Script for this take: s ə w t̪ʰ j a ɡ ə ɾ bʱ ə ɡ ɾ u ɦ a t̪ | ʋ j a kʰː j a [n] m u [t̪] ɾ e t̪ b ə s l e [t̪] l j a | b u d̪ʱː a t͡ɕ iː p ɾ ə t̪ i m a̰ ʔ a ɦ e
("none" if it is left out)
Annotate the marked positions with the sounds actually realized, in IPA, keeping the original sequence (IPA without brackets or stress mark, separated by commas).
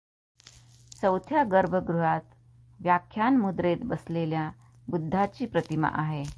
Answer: n, d̪, none